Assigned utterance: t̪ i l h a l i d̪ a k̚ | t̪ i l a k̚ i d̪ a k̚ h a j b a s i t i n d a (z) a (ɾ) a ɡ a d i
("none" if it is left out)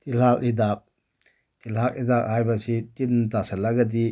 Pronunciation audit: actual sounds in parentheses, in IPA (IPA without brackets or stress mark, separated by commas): s, l